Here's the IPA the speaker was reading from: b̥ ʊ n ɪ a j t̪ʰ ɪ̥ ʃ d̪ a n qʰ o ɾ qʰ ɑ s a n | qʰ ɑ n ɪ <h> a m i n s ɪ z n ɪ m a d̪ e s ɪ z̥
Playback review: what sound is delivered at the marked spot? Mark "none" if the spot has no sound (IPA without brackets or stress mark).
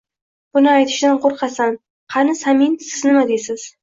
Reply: s